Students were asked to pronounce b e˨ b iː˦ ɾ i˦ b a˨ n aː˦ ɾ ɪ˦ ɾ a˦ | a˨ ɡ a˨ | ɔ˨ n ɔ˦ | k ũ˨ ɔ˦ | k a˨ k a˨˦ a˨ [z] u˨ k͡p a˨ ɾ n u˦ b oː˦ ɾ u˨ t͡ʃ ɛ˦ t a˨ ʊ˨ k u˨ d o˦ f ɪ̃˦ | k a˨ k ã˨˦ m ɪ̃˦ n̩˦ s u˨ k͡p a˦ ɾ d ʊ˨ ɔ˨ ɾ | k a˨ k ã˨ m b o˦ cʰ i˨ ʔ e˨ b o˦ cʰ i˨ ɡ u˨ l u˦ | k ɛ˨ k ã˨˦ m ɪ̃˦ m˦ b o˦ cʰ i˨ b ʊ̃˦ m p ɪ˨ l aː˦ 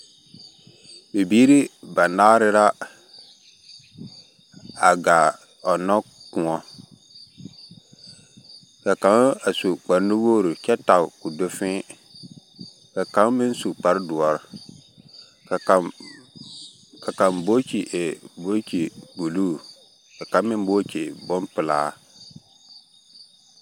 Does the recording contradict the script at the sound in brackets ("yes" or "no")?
yes